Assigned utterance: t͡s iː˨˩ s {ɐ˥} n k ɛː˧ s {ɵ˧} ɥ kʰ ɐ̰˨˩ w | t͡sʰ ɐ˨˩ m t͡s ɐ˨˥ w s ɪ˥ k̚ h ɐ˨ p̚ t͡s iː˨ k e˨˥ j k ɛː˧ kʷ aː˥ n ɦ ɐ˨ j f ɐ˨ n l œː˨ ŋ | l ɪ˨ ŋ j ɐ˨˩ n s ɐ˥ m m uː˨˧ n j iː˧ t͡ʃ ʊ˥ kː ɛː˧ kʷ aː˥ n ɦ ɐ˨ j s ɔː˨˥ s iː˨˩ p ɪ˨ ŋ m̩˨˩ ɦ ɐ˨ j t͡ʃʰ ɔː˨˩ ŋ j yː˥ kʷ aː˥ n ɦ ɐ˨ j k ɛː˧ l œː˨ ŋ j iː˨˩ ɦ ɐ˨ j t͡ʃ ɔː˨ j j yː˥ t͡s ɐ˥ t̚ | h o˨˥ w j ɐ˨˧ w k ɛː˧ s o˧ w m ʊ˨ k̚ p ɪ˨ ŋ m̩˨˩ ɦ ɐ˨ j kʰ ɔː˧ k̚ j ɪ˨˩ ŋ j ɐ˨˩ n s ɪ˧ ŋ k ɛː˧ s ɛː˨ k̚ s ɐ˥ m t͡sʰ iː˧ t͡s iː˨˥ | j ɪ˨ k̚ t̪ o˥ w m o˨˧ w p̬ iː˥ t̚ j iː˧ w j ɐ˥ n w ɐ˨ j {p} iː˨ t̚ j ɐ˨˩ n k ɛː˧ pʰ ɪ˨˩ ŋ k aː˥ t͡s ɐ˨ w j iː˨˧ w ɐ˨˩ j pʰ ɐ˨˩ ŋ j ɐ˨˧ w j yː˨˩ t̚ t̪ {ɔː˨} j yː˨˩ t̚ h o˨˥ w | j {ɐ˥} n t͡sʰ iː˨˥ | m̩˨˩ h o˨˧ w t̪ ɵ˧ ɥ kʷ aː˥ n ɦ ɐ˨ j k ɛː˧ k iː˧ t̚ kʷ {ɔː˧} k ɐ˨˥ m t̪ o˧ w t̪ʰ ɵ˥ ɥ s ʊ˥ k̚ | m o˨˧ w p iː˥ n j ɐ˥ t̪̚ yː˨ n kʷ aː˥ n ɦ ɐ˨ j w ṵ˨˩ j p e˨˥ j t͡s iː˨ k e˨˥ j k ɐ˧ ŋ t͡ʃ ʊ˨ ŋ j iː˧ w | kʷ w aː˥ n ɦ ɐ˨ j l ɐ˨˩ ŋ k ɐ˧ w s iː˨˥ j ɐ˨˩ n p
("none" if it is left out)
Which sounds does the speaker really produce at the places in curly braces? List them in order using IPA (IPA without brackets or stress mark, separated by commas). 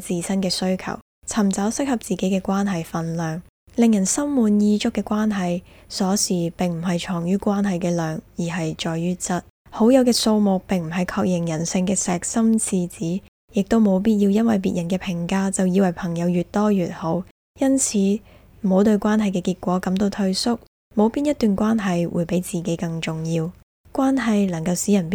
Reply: ɐ˥, ɵ˥, p, ɔː˥, ɐ˥, ɔː˨˥